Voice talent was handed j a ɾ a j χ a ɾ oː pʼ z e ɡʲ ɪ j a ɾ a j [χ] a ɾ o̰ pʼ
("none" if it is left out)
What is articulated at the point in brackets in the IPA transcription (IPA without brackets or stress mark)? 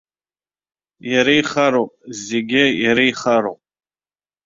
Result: χ